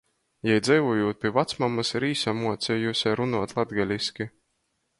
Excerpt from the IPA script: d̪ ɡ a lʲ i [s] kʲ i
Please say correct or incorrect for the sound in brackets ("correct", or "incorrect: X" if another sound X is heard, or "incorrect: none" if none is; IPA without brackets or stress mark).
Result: correct